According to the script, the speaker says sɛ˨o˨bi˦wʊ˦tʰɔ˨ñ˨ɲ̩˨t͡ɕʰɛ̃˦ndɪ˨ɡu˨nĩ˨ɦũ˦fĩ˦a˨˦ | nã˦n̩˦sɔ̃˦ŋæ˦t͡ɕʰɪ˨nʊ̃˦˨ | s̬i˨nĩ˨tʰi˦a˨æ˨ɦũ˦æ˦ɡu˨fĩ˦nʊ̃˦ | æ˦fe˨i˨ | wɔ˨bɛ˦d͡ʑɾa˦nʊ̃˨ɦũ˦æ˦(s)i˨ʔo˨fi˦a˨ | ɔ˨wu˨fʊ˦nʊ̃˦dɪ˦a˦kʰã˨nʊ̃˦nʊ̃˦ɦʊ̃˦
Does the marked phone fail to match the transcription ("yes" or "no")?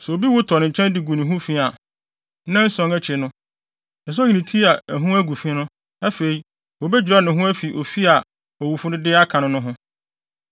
yes